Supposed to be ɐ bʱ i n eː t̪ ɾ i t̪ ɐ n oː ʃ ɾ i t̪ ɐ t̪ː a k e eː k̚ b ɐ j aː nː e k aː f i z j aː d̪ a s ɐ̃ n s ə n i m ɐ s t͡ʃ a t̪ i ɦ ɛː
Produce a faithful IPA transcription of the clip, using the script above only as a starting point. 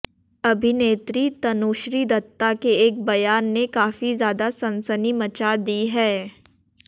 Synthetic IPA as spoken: ɐ bʱ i n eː t̪ ɾ i t̪ ɐ n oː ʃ ɾ i d̪ ɐ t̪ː a k e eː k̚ b ɐ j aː nː e k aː f i z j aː d̪ a s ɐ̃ n s ə n i m ɐ t͡ʃ a d̪ i ɦ ɛː

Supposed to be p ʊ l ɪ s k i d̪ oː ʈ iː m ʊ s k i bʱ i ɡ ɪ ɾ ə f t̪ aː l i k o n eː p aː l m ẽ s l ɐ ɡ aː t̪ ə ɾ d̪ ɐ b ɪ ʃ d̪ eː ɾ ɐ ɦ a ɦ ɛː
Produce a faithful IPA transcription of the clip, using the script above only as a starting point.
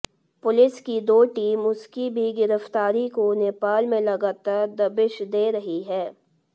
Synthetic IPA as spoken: p ʊ l ɪ s k i d̪ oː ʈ iː m ʊ s k i bʱ i ɡ ɪ ɾ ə f t̪ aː ɾ i k o n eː p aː l m ẽ l ɐ ɡ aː t̪ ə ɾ d̪ ɐ b ɪ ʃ d̪ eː ɾ ɐ ɦ i ɦ ɛː

